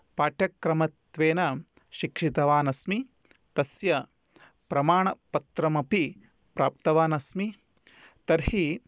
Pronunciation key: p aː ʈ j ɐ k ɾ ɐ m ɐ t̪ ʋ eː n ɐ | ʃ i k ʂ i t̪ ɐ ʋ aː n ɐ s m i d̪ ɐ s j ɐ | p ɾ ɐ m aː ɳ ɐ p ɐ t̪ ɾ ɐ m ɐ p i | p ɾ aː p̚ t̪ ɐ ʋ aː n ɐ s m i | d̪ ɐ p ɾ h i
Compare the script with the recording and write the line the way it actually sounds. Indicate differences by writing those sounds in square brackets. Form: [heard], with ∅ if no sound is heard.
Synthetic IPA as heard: p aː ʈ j ɐ k ɾ ɐ m ɐ t̪ ʋ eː n ɐ | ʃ i k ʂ i t̪ ɐ ʋ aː n ɐ s m i [t̪] ɐ s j ɐ | p ɾ ɐ m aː ɳ ɐ p ɐ t̪ ɾ ɐ m ɐ p i | p ɾ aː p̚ t̪ ɐ ʋ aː n ɐ s m i | [t̪] ɐ [∅] ɾ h i